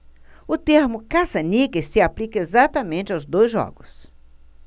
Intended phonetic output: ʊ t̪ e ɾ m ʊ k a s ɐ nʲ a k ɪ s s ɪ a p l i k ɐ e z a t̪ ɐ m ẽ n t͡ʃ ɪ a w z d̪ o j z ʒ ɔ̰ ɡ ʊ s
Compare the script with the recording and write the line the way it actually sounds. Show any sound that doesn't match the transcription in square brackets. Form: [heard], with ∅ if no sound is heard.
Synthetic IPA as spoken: ʊ t̪ e ɾ m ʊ k a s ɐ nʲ [i] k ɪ s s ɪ a p l i k ɐ e z a t̪ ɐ m ẽ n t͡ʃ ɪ a w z d̪ o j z ʒ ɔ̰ ɡ ʊ s

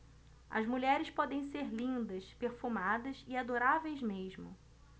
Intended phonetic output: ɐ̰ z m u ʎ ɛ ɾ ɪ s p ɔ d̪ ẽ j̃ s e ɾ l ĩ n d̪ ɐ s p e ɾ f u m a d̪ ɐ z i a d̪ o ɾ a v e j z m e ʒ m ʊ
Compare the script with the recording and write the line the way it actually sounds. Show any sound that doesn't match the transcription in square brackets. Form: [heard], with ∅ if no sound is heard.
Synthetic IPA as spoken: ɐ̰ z m u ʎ ɛ ɾ ɪ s p ɔ d̪ ẽ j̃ s e ɾ l ĩ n d̪ ɐ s p e ɾ f u m a d̪ ɐ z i a d̪ o ɾ a v e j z m e ʒ m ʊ

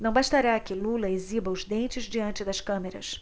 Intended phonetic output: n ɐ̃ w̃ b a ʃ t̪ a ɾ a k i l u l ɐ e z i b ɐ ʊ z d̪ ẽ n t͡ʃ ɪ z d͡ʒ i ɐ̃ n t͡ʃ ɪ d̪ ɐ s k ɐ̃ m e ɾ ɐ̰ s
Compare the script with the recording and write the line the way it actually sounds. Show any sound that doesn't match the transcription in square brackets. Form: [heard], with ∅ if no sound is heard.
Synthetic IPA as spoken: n ɐ̃ w̃ b a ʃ t̪ a ɾ a k [ɪ] l u l ɐ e z i b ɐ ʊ z d̪ ẽ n t͡ʃ ɪ z d͡ʒ i ɐ̃ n t͡ʃ ɪ d̪ ɐ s k ɐ̃ m e ɾ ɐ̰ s

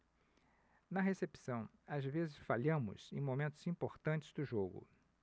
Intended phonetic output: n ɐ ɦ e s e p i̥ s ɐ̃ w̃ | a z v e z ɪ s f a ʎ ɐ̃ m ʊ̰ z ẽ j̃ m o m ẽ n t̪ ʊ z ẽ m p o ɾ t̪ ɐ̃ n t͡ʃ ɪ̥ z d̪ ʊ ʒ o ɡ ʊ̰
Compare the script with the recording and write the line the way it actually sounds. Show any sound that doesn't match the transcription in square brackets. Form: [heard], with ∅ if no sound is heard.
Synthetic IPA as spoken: n ɐ ɦ e s e p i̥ s ɐ̃ w̃ | a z v e z ɪ s f a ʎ ɐ̃ m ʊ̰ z ẽ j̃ m o m ẽ n t̪ ʊ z [ĩ] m p o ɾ t̪ ɐ̃ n t͡ʃ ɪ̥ z d̪ ʊ ʒ o ɡ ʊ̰

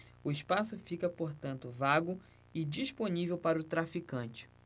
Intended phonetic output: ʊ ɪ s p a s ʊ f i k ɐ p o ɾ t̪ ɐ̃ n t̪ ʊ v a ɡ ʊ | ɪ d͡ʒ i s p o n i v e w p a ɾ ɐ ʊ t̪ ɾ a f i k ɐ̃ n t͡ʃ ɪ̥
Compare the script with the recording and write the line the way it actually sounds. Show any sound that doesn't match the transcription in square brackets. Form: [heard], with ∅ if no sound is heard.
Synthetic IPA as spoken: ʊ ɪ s p a s ʊ f i k ɐ p o ɾ t̪ ɐ̃ n t̪ ʊ v a ɡ ʊ | ɪ d͡ʒ i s p o n i v e w p a ɾ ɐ ʊ t̪ ɾ a f i k ɐ̃ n t͡ʃ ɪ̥

